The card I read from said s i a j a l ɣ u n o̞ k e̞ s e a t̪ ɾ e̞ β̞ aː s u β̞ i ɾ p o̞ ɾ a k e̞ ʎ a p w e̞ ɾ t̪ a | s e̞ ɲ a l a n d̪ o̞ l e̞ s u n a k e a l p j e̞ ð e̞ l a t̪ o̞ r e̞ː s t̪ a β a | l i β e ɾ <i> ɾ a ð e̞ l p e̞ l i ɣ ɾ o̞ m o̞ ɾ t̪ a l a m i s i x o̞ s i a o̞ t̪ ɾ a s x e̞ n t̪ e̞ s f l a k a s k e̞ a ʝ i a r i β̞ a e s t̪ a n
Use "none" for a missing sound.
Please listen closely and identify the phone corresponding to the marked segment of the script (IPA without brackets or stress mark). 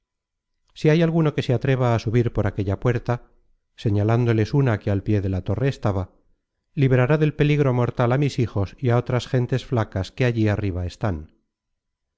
a